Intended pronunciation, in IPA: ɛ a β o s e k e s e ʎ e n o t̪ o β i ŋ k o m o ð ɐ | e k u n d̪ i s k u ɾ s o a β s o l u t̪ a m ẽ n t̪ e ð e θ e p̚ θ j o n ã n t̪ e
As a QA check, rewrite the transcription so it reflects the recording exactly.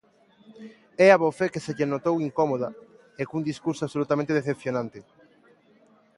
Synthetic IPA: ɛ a β o f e k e s e ʎ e n o t̪ o w i ŋ k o m o ð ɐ | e k u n d̪ i s k u ɾ s o a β s o l u t̪ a m ẽ n t̪ e ð e θ e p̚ θ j o n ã n t̪ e

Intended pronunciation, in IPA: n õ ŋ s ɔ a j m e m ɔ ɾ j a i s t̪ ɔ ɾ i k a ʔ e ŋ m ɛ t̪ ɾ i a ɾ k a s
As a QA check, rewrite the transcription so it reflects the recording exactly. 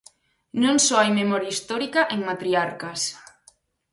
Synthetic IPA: n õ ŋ s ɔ a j m e m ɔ ɾ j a i s t̪ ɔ ɾ i k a ʔ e ŋ m a t̪ ɾ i a ɾ k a s

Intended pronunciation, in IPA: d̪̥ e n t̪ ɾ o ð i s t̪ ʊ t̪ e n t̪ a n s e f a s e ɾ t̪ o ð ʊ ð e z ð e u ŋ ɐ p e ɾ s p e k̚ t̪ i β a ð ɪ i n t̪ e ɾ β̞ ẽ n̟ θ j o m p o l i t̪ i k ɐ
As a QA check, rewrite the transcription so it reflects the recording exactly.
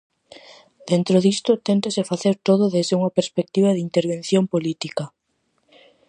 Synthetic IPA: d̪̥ e n t̪ ɾ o ð i s t̪ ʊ t̪ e n t̪ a s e f a θ e ɾ t̪ o ð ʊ ð e z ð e u ŋ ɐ p e ɾ s p e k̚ t̪ i β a ð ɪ i n t̪ e ɾ β̞ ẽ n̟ θ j o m p o l i t̪ i k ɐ

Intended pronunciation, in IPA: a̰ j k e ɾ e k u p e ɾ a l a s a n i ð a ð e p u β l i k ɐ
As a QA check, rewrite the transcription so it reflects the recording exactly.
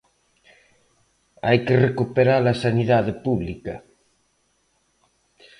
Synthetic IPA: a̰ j k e r e k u p e ɾ a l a s a n i ð a ð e p u β l i k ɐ

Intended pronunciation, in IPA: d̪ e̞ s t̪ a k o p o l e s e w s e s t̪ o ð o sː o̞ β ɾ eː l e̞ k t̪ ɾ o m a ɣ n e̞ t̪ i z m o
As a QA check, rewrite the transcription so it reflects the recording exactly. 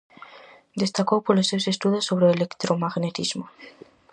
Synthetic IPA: d̪ e̞ s t̪ a k o p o l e s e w s e s t̪ u ð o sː o̞ β ɾ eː l e̞ k t̪ ɾ o m a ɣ n e̞ t̪ i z m o

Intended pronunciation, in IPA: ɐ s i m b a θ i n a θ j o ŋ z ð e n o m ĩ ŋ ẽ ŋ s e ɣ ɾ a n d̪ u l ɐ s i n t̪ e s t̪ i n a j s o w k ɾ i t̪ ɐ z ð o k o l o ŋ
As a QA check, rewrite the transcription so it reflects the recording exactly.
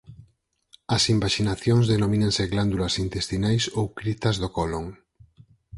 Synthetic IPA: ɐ s i m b a ʃ i n a θ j o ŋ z ð e n o m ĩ n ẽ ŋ s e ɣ l a n d̪ u l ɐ s i n t̪ e s t̪ i n a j s o w k ɾ i t̪ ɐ z ð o k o l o ŋ

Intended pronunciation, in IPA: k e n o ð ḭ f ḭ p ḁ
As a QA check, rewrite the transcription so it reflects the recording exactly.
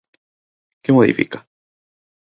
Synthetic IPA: k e m o ð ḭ f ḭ k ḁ

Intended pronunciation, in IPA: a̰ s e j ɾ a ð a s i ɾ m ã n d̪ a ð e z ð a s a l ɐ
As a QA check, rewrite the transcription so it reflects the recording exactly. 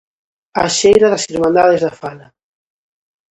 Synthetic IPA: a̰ ʃ e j ɾ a ð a s i ɾ m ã n d̪ a ð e z ð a f a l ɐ

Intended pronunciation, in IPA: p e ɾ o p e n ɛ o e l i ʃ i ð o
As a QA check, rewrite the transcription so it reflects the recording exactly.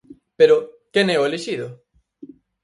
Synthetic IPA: p e ɾ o k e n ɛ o e l e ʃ i ð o

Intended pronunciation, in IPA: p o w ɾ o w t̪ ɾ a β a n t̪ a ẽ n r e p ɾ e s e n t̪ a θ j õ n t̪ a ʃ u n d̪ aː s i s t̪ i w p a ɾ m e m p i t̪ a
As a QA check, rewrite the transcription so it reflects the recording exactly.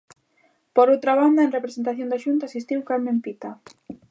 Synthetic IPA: p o ɾ o w t̪ ɾ a β a n d̪ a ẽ n r e p ɾ e s e n t̪ a θ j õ n d̪ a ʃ u n t̪ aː s i s t̪ i w k a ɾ m e m p i t̪ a

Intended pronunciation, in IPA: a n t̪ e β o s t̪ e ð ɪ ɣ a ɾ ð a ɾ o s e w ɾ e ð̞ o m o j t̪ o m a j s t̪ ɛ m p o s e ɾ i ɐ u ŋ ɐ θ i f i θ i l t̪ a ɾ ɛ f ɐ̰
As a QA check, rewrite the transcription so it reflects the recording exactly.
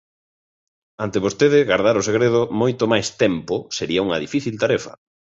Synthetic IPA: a n t̪ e β o s t̪ e ð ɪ ɣ a ɾ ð a ɾ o s e ɣ ɾ e ð̞ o m o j t̪ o m a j s t̪ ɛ m p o s e ɾ i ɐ u ŋ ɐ ð i f i θ i l t̪ a ɾ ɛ f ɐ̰

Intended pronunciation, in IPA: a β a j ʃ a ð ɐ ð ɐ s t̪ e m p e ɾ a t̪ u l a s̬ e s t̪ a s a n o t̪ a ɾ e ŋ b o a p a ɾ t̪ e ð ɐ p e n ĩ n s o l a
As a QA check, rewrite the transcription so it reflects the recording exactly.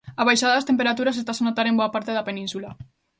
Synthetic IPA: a β a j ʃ a ð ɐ ð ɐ s t̪ e m p e ɾ a t̪ u ɾ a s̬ e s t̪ a s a n o t̪ a ɾ e m b o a p a ɾ t̪ e ð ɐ p e n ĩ n s u l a

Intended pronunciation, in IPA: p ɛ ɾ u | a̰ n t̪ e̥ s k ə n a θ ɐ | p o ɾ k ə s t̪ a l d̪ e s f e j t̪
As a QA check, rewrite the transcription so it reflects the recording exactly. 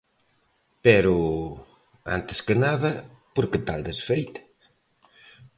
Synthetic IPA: p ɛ ɾ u | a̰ n t̪ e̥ s k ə n a ð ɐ | p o ɾ k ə t̪ a l d̪ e s f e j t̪

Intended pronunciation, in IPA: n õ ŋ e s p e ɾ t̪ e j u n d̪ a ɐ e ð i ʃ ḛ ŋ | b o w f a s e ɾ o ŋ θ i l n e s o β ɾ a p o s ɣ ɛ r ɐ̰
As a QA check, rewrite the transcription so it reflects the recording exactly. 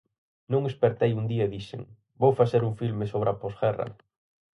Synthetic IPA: n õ ŋ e s p e ɾ t̪ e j u n d̪ i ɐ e ð i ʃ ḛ ŋ | b o w f a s e ɾ u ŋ f i l m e s o β ɾ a p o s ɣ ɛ r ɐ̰

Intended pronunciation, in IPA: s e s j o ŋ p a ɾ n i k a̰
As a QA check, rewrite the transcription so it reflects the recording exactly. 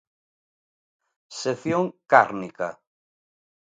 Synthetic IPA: s e θ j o ŋ k a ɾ n i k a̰

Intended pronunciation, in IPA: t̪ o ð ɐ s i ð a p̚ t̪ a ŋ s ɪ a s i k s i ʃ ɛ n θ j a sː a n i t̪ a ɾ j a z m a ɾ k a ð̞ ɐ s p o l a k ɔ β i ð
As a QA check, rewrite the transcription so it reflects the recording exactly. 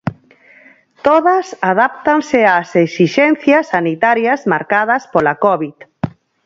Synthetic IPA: t̪ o ð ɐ s a ð a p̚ t̪ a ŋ s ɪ a s e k s i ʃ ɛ n θ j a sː a n i t̪ a ɾ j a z m a ɾ k a ð̞ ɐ s p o l a k ɔ β i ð

